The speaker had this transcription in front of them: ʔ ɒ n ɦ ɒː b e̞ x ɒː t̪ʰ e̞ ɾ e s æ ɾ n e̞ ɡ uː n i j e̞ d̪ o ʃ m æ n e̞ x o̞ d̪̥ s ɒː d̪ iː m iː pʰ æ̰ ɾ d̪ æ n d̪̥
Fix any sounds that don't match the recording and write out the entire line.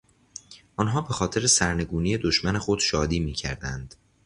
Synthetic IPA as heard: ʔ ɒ n ɦ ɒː b e̞ x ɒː t̪ʰ e̞ ɾ e s æ ɾ n e̞ ɡ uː n i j e̞ d̪ o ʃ m æ n e̞ x o̞ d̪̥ ʃ ɒː d̪ iː m iː cʰ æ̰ ɾ d̪ æ n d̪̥